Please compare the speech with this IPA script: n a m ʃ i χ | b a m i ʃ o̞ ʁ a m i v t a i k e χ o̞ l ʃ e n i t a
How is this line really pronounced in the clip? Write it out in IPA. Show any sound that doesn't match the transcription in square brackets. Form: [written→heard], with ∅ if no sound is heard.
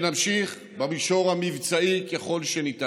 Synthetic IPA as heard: n a m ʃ i χ | b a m i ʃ o̞ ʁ a m i v [t→t͡s] a i k e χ o̞ l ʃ e n i t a